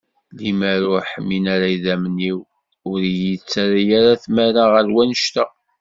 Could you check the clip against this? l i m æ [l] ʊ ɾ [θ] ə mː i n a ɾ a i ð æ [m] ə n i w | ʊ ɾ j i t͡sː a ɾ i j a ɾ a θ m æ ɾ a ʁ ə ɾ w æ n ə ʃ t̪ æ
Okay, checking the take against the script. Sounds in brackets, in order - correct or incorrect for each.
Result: incorrect: ɾ, incorrect: ħ, correct

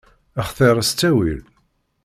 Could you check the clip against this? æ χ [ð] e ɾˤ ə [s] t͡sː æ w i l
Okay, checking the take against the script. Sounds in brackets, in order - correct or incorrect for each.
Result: incorrect: θ, correct

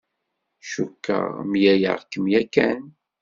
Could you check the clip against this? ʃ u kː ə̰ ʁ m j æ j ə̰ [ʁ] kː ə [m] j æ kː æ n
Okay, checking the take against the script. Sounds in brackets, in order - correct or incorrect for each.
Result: correct, correct

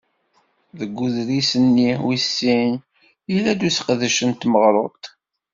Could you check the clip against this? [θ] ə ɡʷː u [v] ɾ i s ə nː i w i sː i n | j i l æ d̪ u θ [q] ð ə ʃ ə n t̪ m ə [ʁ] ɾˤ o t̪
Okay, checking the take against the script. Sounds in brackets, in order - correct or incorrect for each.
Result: incorrect: ð, incorrect: ð, correct, correct

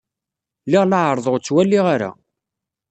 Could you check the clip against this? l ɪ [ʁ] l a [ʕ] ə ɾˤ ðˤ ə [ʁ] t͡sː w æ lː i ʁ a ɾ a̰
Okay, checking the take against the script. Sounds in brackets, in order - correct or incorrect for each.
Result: correct, correct, correct

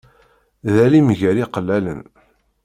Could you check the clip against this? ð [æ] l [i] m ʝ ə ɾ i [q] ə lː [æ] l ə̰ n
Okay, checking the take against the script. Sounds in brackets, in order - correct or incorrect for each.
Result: correct, correct, correct, correct

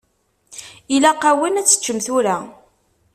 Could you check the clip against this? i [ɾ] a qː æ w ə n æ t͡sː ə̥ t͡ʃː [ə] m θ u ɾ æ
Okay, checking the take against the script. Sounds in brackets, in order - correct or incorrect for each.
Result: incorrect: l, correct

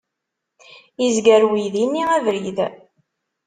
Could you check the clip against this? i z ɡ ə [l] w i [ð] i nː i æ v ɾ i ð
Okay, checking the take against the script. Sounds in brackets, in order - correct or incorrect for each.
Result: incorrect: ɾ, correct

